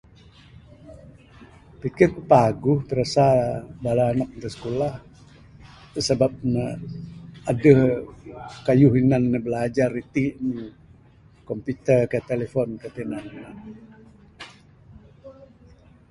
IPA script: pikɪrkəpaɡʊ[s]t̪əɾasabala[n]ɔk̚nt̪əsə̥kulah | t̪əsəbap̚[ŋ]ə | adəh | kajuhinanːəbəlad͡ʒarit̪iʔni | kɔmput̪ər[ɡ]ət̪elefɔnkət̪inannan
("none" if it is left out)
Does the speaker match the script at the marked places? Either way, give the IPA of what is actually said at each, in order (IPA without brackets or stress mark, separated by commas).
h, n, n, k